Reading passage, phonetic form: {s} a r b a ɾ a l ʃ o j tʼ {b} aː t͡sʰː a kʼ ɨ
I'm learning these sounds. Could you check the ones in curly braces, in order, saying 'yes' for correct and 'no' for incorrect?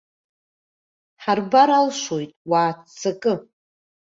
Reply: no, no

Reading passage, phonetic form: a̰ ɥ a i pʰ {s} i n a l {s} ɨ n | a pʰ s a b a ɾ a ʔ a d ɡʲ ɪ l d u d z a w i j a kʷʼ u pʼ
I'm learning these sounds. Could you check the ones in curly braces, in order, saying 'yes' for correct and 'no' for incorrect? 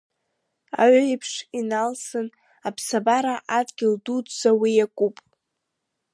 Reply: no, yes

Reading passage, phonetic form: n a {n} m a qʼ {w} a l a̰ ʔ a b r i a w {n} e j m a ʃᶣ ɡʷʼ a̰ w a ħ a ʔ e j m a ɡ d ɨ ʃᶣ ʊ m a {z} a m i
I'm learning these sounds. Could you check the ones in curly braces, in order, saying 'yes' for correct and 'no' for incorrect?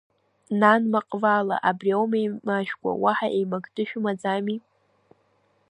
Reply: yes, no, no, no

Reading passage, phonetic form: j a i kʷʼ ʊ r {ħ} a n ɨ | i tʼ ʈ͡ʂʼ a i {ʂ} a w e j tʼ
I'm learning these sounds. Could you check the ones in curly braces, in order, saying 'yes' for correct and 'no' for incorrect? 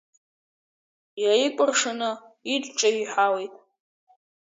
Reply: no, no

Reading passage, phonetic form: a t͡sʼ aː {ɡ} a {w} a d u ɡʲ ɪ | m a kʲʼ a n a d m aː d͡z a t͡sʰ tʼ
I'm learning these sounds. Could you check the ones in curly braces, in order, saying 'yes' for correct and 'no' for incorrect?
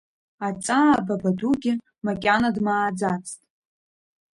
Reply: no, no

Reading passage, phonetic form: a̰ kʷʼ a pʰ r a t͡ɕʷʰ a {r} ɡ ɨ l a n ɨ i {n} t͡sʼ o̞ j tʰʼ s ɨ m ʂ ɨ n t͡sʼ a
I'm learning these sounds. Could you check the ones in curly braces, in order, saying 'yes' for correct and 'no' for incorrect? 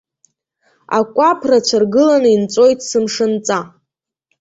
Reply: yes, yes

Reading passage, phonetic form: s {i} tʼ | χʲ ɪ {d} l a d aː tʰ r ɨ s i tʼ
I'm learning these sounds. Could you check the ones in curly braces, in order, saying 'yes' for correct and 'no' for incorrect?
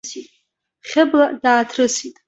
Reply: yes, no

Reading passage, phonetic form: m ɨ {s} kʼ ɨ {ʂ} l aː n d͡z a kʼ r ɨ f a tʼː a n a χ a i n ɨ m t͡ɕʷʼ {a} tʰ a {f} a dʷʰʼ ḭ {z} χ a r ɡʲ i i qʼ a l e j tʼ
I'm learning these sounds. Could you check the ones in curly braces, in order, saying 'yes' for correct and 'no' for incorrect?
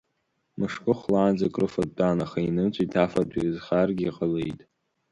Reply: no, no, no, yes, yes

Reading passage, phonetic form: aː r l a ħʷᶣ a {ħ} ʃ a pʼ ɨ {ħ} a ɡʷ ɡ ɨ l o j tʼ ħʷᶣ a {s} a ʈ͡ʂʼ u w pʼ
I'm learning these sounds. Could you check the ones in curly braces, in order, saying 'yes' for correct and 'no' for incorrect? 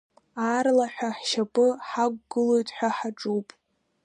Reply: yes, yes, no

